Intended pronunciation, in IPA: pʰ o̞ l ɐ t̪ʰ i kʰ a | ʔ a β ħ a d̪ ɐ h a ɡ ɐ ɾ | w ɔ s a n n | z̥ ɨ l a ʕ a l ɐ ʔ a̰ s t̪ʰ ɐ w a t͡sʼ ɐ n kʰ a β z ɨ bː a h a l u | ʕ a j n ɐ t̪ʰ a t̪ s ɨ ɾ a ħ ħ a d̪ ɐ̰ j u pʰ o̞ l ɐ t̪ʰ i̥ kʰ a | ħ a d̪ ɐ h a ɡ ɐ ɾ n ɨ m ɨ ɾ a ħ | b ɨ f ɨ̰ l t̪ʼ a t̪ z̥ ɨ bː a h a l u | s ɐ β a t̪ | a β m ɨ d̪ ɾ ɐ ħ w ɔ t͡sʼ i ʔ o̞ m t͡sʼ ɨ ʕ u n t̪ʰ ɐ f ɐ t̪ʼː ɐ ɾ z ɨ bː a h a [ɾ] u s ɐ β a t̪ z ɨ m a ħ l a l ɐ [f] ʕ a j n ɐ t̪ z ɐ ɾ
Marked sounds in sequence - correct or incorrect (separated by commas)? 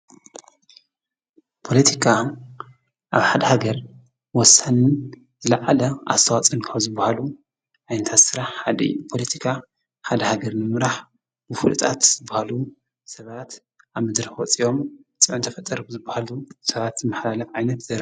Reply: incorrect, correct